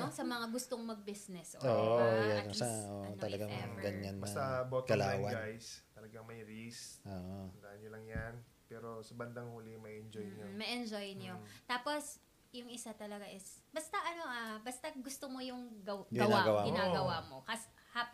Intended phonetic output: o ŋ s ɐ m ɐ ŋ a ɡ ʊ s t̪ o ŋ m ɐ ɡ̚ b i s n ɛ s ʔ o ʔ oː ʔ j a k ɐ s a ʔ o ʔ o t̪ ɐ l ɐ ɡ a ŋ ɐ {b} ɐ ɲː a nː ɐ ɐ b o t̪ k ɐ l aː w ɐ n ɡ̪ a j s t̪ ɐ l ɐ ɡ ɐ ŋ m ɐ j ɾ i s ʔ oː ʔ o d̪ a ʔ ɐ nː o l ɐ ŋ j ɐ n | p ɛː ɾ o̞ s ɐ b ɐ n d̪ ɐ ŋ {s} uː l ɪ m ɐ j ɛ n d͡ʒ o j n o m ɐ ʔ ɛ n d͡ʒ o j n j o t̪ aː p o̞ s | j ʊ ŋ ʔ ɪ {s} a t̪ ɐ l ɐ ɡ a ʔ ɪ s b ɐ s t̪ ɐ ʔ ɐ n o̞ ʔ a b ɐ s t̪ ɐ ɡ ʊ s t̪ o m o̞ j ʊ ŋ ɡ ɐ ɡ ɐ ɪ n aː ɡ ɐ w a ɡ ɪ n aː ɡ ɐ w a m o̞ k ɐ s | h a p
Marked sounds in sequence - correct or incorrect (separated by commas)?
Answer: incorrect, incorrect, correct